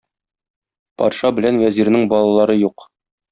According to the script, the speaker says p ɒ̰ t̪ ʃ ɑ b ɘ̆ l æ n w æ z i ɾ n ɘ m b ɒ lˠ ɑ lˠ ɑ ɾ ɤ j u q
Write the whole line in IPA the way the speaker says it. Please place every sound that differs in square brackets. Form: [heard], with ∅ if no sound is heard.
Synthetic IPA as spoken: p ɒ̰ t̪ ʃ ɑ b ɘ̆ l æ n w æ z i ɾ n ɘ [ŋ] b ɒ lˠ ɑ lˠ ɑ ɾ ɤ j u q